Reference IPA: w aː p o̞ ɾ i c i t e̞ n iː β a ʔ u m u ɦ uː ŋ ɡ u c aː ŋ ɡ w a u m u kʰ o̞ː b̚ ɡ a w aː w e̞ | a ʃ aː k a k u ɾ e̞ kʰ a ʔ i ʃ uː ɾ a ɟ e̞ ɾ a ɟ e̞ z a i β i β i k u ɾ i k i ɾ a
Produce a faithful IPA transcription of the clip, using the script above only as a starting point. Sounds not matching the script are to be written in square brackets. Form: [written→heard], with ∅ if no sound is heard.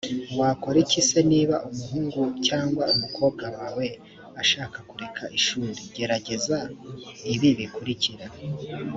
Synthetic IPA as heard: w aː [p→k] o̞ ɾ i c i [t→s] e̞ n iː β a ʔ u m u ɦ uː ŋ ɡ u c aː ŋ ɡ w a u m u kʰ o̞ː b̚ ɡ a w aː w e̞ | a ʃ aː k a k u ɾ e̞ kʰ a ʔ i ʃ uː ɾ [a→i] ɟ e̞ ɾ a ɟ e̞ z a i β i β i k u ɾ i [k→c] i ɾ a